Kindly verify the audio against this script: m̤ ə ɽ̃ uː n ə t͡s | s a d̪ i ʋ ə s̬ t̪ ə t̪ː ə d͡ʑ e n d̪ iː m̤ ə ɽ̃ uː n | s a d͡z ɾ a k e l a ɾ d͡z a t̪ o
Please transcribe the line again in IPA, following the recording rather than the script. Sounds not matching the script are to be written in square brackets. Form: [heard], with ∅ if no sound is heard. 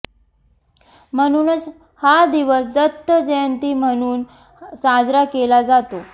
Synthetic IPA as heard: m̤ ə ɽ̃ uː n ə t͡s | [h] a d̪ i ʋ ə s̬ [d̪] ə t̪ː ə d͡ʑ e n [t̪] iː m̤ ə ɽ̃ uː n | s a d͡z ɾ a k e l a [∅] d͡z a t̪ o